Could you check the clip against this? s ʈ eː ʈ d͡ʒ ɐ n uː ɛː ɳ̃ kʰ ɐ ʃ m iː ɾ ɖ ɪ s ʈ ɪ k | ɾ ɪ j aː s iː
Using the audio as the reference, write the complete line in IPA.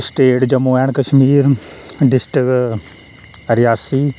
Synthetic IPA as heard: s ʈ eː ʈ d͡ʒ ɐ m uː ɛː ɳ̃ k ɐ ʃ m iː ɾ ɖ ɪ s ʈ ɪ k | ɾ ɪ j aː s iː